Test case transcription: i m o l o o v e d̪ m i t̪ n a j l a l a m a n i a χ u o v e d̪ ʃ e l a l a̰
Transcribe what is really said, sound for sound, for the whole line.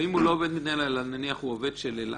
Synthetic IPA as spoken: i m u l o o v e d̪ m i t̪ n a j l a l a n a n i a χ u o v e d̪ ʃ e l e l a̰